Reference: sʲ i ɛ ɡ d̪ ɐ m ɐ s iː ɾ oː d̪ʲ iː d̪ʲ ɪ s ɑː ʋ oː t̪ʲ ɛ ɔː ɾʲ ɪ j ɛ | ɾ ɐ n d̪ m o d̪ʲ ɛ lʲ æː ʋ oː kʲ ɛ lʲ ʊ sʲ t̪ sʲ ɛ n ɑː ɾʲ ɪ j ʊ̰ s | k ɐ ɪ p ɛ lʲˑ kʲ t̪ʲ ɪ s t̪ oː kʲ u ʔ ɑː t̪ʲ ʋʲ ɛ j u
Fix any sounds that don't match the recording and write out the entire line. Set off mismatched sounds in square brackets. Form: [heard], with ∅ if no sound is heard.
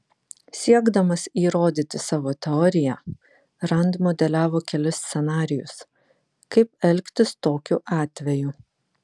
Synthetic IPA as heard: sʲ i ɛ ɡ d̪ ɐ m ɐ s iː ɾ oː d̪ʲ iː [t̪ʲ] ɪ s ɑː ʋ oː t̪ʲ ɛ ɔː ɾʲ ɪ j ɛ | ɾ ɐ n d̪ m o d̪ʲ ɛ lʲ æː ʋ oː kʲ ɛ lʲ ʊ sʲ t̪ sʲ ɛ n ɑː ɾʲ ɪ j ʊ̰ s | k ɐ ɪ p ɛ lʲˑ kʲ t̪ʲ ɪ s t̪ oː kʲ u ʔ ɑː t̪ʲ ʋʲ ɛ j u